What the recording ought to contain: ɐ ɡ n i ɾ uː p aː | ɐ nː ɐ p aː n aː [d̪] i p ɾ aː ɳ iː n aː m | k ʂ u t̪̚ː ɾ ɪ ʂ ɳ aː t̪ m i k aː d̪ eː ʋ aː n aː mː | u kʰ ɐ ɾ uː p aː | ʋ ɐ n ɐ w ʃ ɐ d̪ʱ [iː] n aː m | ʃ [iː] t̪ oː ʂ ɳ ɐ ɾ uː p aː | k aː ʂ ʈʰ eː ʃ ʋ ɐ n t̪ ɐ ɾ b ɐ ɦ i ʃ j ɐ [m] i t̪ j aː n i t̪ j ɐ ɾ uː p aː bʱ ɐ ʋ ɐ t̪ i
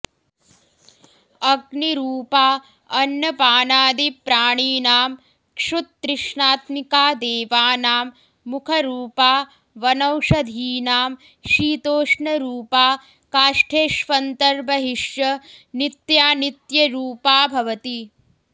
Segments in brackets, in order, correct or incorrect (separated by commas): correct, correct, correct, incorrect